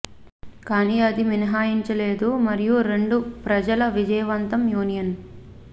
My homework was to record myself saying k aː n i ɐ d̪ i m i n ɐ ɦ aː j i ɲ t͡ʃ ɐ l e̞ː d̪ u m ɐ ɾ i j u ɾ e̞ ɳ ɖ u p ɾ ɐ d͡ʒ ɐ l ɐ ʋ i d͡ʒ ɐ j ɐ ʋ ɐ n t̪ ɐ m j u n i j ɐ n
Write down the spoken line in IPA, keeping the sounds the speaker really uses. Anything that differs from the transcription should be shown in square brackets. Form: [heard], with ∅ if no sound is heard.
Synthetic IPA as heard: k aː n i ɐ d̪ i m i n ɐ ɦ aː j i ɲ t͡ʃ ɐ l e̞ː d̪ u m ɐ ɾ i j u ɾ e̞ ɳ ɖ u p ɾ ɐ d͡ʒ ɐ l ɐ ʋ i d͡ʒ ɐ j ɐ ʋ ɐ n t̪ ɐ m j [uː] n i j ɐ n